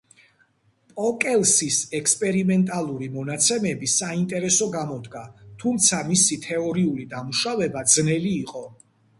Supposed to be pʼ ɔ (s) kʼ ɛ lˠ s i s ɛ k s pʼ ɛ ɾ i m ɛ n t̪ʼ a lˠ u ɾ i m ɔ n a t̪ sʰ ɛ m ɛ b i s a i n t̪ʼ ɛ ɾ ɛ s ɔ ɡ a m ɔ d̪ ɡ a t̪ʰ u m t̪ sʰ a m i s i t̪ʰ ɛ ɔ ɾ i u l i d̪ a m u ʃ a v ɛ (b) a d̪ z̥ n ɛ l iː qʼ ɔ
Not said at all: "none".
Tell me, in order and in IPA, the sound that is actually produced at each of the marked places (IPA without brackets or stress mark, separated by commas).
none, b